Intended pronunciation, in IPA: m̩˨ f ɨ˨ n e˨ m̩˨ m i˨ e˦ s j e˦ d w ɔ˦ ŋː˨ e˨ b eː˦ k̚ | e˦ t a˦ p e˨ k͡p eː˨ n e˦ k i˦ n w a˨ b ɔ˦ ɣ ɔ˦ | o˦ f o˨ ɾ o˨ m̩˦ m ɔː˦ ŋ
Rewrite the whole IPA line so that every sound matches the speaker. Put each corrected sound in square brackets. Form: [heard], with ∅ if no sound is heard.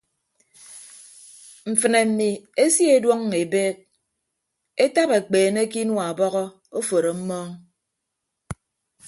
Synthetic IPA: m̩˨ f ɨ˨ n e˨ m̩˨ m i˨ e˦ s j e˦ d w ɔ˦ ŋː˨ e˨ b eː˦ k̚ | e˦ t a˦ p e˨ k͡p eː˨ n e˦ k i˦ n w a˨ b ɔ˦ ɣ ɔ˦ | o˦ f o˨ ɾ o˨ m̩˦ m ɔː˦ ŋ

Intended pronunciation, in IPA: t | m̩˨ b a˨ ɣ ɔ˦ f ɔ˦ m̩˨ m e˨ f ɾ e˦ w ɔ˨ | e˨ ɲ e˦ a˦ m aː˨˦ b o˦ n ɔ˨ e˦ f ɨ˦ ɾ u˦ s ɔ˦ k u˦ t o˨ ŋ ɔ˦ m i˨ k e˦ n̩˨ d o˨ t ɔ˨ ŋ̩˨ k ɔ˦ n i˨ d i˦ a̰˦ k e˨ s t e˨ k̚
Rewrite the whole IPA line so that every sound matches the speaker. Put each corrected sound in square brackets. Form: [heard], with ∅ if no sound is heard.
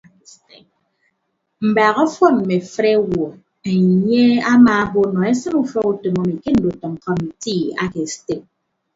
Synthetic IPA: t | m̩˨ b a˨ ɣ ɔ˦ f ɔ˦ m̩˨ m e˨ f ɾ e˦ w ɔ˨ | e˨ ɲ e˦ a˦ m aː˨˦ b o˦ n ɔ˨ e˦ [s] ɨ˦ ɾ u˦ [f] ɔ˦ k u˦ t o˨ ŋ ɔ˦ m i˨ k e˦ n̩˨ d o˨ t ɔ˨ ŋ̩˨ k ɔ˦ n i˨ [t] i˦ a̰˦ k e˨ s t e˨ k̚

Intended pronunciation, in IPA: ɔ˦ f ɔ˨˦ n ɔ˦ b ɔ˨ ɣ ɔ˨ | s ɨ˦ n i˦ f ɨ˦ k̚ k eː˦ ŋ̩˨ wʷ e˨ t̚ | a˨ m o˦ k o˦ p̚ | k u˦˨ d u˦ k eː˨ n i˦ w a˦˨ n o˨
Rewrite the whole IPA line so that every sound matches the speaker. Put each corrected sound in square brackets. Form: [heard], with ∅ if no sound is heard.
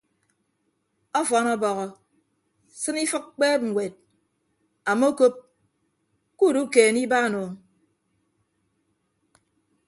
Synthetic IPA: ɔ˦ f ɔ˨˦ n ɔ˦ b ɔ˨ ɣ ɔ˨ | s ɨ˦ n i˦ f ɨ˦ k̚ [k͡p] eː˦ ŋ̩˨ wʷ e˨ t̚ | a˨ m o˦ k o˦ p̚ | k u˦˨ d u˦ k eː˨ n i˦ [b] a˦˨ n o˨

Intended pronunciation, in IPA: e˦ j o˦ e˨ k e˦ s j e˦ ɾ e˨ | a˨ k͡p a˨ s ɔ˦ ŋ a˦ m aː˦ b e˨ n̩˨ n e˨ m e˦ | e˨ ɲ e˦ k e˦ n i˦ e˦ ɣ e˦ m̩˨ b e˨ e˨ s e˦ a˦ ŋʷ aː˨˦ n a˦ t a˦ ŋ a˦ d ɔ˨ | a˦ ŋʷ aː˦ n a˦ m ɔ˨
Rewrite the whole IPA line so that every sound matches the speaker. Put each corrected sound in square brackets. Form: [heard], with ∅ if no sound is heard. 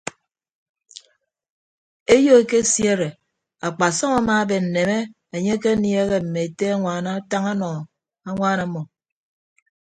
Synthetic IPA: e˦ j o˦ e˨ k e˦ s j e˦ ɾ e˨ | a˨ k͡p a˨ s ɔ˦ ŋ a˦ m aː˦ b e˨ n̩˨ n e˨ m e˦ | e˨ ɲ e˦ k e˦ n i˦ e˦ ɣ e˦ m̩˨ [m] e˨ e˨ [t] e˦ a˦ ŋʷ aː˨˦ n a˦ t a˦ ŋ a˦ [n] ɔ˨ | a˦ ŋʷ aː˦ n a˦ m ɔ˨

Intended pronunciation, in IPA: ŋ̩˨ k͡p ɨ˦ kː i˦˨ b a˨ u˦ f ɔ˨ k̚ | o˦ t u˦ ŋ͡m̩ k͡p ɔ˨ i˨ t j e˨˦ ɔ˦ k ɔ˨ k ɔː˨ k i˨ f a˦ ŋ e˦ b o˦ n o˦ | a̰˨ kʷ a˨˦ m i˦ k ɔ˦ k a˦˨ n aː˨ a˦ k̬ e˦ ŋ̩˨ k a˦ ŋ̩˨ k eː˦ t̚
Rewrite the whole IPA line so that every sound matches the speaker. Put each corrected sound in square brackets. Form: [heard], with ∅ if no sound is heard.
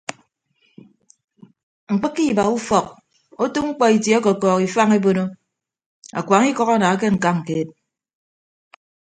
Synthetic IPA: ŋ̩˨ k͡p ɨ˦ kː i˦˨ b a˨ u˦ f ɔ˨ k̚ | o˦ t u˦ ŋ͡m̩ k͡p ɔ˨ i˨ t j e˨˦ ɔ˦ k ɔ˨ k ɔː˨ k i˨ f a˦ ŋ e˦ b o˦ n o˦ | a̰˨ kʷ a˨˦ [ŋ] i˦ k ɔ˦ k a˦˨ n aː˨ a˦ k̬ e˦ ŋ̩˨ k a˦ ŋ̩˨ k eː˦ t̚

